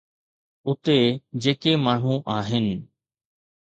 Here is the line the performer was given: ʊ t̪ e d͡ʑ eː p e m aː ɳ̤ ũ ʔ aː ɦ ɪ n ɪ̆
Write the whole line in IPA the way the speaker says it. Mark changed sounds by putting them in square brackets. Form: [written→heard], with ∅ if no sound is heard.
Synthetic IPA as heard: ʊ t̪ e d͡ʑ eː [p→k] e m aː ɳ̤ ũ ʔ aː ɦ ɪ n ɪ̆